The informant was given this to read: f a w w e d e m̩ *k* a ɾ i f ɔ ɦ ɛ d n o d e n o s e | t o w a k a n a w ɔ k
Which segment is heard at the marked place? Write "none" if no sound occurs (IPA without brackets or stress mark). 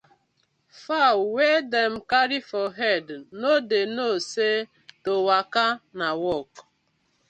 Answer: k